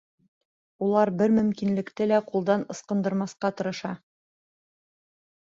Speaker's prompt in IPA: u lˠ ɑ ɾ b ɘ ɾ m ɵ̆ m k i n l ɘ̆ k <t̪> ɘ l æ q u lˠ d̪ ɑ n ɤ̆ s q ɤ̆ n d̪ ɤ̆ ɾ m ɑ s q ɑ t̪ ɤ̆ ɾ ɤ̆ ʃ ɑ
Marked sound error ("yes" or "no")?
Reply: no